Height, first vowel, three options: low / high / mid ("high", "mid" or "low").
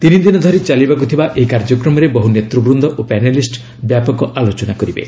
high